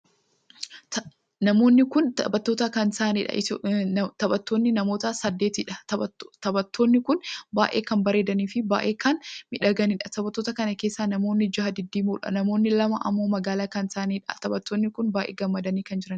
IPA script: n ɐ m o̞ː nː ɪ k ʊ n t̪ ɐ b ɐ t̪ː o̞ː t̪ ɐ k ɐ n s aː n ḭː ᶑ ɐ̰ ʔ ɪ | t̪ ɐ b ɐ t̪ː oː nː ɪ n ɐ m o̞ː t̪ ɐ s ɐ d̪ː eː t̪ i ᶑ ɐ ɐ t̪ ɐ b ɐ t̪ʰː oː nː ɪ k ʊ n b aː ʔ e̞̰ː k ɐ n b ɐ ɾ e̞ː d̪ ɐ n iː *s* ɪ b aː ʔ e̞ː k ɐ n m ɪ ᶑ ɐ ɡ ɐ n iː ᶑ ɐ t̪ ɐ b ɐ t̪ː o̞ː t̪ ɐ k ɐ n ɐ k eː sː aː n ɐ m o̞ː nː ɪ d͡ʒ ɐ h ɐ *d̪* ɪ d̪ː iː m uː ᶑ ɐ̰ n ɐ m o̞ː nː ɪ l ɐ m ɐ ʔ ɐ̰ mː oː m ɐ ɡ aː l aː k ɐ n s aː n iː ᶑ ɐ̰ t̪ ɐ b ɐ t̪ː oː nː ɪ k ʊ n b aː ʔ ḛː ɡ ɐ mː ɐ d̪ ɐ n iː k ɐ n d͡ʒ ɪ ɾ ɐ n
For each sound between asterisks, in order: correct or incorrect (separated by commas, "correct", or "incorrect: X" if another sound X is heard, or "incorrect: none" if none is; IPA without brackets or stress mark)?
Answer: incorrect: f, correct